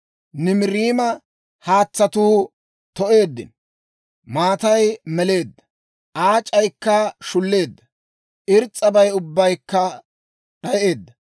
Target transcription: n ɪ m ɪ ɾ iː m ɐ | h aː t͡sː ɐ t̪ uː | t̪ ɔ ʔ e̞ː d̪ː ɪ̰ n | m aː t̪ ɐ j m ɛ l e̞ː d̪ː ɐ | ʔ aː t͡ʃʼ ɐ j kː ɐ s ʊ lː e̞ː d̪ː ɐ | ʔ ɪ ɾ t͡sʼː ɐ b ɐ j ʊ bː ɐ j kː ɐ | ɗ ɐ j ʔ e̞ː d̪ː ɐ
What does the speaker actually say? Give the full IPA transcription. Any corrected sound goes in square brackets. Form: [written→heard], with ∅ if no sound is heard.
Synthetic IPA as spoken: n ɪ m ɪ ɾ iː m ɐ | h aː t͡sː ɐ t̪ uː | t̪ ɔ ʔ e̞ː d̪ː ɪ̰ n | m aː t̪ ɐ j m ɛ l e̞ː d̪ː ɐ | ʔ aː t͡ʃʼ ɐ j kː ɐ [s→ʃ] ʊ lː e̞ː d̪ː ɐ | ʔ ɪ ɾ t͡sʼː ɐ b ɐ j ʊ bː ɐ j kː ɐ | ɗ ɐ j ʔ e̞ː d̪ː ɐ